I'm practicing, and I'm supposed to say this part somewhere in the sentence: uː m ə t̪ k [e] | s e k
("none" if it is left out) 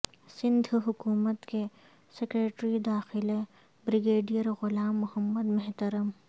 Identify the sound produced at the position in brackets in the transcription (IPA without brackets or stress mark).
e